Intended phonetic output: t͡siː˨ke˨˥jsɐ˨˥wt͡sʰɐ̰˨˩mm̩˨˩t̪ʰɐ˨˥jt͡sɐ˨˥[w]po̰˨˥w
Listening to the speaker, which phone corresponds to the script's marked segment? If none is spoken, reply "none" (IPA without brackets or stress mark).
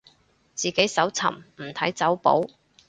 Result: w